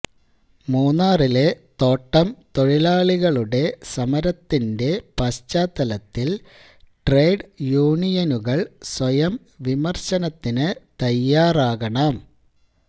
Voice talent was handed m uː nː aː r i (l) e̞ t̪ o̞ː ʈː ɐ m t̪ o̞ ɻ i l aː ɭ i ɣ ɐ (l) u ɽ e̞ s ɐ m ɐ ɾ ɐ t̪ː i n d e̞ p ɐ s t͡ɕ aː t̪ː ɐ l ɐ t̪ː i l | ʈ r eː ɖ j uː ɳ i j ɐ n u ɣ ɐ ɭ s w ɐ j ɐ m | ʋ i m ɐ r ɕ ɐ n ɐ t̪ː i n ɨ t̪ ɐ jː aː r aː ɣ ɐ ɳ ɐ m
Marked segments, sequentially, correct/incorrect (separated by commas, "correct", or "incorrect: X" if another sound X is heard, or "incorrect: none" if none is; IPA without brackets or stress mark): correct, incorrect: ɭ